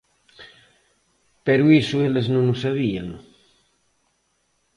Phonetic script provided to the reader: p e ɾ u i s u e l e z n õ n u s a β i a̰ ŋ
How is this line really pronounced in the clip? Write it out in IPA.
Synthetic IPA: p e ɾ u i s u e l e z n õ n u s a β i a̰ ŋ

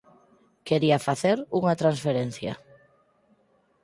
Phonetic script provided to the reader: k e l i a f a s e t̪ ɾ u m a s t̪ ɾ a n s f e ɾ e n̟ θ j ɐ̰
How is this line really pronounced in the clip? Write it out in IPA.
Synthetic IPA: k e ɾ i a f a θ e ɾ u ŋ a t̪ ɾ a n s f e ɾ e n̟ θ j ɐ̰

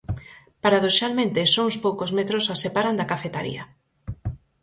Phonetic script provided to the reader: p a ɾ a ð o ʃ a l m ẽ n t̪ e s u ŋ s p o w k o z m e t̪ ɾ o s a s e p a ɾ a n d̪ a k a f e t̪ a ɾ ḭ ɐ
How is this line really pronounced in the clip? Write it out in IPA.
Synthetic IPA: p a ɾ a ð o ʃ a l m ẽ n t̪ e s o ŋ s p o w k o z m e t̪ ɾ o s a s e p a ɾ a n d̪ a k a f e t̪ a ɾ ḭ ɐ

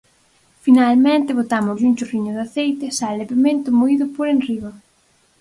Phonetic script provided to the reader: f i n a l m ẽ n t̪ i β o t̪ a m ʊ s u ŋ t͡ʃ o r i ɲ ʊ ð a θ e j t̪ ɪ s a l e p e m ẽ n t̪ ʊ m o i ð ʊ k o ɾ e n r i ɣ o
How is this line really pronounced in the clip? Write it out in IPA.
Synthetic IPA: f i n a l m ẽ n t̪ ɪ β o t̪ a m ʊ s u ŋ t͡ʃ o r i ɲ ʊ ð a θ e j t̪ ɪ s a l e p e m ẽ n t̪ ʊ m o i ð ʊ p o ɾ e n r i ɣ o

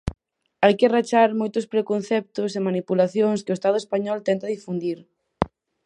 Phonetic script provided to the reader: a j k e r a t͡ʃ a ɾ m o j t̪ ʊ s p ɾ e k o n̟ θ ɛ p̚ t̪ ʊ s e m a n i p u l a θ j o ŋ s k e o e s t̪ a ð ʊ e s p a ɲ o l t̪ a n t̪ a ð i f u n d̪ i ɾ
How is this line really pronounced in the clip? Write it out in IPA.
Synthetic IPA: a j k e r a t͡ʃ a ɾ m o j t̪ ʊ s p ɾ e k o n̟ θ ɛ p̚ t̪ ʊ s e m a n i p u l a θ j o ŋ s k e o e s t̪ a ð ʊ e s p a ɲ ɔ l t̪ ɛ n t̪ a ð i f u n d̪ i ɾ

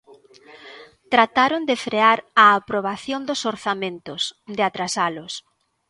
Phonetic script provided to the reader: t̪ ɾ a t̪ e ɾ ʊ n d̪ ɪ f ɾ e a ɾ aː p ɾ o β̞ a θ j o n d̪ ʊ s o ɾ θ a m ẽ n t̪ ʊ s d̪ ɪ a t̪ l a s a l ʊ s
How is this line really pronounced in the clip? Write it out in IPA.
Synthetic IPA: t̪ ɾ a t̪ a ɾ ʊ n d̪ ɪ f ɾ e a ɾ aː p ɾ o β̞ a θ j o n d̪ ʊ s o ɾ θ a m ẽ n t̪ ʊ s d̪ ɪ a t̪ ɾ a s a l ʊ s

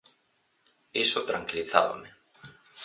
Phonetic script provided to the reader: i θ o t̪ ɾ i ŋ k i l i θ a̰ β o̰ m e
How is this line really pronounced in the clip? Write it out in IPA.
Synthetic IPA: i s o t̪ ɾ a ŋ k i l i θ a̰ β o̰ m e

